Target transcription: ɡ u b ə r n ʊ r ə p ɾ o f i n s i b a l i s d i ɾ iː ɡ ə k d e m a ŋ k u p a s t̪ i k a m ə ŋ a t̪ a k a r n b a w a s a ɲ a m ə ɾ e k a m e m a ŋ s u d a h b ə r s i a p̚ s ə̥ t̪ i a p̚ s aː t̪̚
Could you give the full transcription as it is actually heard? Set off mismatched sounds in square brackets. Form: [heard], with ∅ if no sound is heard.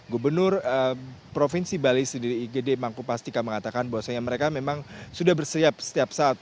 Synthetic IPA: ɡ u b ə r n ʊ r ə p ɾ o f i n s i b a l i s d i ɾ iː ɡ ə [∅] d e m a ŋ k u p a s t̪ i k a m ə ŋ a t̪ a k a [∅] n b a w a s a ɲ a m ə ɾ e k a m e m a ŋ s u d a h b ə r s i a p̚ s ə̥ t̪ i a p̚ s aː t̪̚